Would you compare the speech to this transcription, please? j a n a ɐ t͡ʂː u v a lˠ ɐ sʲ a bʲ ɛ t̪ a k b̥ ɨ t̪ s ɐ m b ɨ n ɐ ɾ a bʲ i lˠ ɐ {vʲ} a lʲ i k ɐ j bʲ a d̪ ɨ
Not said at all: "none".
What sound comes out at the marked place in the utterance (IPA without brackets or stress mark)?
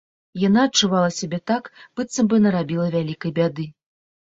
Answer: vʲ